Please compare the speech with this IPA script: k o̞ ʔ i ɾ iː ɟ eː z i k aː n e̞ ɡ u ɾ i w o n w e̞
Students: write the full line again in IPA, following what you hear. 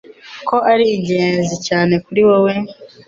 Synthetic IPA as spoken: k o̞ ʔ a ɾ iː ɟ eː z i c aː n e̞ k u ɾ i w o w e̞